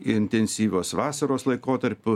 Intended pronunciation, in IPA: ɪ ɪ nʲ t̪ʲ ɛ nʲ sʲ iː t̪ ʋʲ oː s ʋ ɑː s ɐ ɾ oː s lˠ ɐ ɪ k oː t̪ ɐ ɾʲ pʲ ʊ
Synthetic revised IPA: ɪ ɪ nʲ t̪ʲ ɛ nʲ sʲ iː ʋʲ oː s ʋ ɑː s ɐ ɾ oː s lˠ ɐ ɪ k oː t̪ ɐ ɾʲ pʲ ʊ